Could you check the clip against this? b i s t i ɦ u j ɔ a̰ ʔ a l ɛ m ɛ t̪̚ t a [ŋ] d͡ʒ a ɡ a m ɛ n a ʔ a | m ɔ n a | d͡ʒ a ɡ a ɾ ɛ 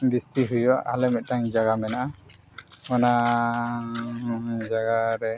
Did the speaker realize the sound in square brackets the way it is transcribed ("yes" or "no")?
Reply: yes